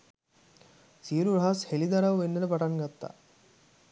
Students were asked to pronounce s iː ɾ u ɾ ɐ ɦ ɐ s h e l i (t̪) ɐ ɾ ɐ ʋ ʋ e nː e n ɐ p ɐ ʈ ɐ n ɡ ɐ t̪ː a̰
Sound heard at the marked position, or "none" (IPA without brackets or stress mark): d̪